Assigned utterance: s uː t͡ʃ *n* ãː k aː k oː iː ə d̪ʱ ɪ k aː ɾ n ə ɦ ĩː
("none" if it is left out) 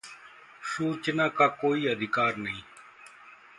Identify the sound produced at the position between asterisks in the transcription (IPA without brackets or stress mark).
n